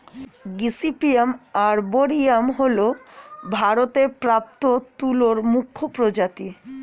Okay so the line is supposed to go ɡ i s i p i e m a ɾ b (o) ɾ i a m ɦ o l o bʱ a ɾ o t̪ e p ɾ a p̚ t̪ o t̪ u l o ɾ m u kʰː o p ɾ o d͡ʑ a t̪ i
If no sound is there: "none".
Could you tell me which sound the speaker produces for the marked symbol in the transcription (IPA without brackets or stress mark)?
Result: o